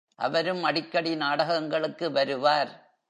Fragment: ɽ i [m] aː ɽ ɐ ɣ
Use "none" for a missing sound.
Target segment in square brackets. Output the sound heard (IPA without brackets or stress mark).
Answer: n